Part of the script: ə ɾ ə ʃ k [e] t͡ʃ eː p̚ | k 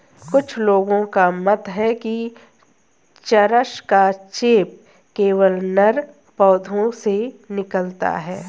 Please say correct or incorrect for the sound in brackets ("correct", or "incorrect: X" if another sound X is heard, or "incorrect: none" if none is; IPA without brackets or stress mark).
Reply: incorrect: a